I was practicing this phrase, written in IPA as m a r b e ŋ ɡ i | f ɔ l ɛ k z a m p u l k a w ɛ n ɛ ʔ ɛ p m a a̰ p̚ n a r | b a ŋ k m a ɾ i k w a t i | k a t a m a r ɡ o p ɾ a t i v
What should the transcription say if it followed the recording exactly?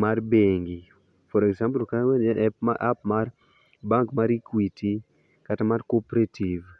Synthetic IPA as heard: m a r b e ŋ ɡ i | f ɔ ɾ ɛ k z a m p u l k a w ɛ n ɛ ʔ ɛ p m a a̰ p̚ m a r | b a ŋ k m a ɾ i k w i t i | k a t a m a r k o p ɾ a t i v